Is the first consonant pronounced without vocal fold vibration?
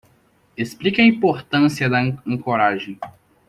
yes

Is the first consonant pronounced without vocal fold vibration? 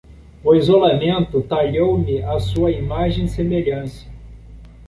no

